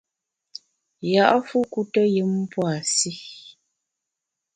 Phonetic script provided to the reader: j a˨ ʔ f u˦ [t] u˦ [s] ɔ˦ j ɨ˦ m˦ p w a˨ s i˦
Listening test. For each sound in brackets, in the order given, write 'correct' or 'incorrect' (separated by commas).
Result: incorrect, incorrect